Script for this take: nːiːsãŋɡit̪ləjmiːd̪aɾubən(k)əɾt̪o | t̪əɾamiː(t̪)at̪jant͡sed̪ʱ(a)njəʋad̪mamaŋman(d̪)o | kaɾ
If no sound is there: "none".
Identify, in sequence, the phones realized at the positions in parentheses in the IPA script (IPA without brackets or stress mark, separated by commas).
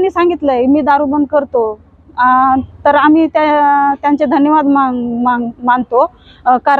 k, t̪, ə, t̪